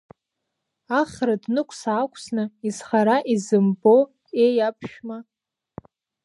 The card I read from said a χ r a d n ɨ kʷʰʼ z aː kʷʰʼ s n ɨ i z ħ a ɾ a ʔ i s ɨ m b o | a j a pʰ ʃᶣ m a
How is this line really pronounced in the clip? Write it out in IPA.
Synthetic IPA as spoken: a χ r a d n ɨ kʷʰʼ s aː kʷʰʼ s n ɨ i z χ a ɾ a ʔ i z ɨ m b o | e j a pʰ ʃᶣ m a